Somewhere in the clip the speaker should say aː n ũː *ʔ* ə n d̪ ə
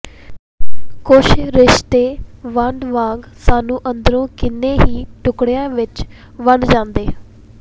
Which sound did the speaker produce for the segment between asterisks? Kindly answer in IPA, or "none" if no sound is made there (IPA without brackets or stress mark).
ʔ